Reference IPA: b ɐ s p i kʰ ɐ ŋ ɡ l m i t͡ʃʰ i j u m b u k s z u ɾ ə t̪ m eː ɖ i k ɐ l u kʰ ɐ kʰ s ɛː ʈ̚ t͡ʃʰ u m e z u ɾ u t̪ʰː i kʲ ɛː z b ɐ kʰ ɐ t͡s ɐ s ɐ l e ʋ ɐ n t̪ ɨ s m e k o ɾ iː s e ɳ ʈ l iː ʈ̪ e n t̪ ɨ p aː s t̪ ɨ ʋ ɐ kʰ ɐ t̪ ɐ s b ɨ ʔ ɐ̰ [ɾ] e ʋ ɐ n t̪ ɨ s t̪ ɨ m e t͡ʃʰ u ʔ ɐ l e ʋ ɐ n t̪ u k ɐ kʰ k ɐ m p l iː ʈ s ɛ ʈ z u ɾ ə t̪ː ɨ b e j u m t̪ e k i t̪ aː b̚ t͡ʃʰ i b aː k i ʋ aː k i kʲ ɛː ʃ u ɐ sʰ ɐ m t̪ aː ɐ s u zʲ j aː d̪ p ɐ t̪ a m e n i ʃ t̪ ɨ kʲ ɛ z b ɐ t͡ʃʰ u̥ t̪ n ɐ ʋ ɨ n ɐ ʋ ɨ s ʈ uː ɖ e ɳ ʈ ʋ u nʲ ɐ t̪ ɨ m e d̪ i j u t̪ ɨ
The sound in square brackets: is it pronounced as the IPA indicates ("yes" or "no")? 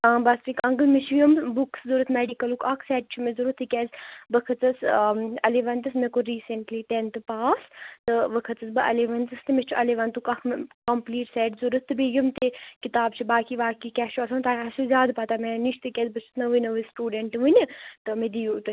no